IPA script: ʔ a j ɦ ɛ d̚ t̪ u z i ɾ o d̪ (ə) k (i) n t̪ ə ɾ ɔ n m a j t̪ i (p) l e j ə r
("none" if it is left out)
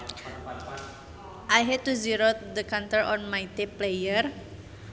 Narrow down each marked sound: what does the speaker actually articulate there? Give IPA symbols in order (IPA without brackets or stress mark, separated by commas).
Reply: ə, a, p